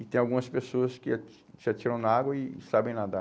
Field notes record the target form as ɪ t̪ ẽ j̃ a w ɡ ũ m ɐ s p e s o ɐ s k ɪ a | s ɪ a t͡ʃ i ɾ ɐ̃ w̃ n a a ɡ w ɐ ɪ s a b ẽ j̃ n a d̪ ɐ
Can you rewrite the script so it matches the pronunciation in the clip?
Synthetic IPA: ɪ t̪ ẽ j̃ a w ɡ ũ m ɐ s p e s o ɐ s k ɪ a | s ɪ a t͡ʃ i ɾ ɐ̃ w̃ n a a ɡ w ɐ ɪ s a b ẽ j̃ n a d̪ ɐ